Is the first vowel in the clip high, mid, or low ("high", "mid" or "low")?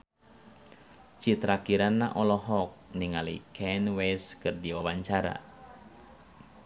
high